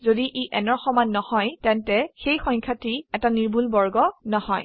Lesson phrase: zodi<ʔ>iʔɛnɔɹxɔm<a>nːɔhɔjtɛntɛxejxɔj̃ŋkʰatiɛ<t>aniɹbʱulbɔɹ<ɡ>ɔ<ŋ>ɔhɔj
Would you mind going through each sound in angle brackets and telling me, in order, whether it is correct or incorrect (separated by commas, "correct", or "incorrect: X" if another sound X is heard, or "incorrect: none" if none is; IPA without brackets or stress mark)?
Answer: correct, correct, correct, correct, incorrect: n